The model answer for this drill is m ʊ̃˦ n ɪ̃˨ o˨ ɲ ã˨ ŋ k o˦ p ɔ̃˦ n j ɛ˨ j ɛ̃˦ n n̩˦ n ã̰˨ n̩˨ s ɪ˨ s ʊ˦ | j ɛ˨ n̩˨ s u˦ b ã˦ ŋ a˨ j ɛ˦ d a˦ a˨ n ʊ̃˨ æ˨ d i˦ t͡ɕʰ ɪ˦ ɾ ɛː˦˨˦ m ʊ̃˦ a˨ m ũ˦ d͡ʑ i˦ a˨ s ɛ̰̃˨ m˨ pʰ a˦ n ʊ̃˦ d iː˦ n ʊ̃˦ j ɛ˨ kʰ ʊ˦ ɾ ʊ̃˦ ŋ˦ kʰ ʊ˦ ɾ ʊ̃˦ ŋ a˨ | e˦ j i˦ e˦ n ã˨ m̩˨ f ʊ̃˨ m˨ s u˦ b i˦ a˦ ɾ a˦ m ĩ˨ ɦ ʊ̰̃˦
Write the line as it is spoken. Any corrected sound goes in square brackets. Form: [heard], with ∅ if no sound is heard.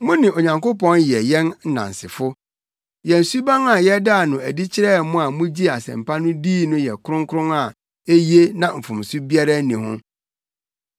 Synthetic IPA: m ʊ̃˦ n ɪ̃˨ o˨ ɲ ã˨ ŋ k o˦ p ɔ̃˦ n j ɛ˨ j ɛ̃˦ n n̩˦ n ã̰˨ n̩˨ s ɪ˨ [f] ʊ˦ | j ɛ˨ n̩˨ s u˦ b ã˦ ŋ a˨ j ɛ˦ d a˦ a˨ n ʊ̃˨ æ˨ d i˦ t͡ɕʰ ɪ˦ ɾ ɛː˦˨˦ m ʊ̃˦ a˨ m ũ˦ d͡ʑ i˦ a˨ s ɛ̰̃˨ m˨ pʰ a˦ n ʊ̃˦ d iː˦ n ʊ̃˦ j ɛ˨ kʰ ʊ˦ ɾ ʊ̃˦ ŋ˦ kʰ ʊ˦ ɾ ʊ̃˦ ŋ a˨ | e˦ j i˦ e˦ n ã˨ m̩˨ f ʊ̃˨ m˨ s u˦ b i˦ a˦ ɾ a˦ [n] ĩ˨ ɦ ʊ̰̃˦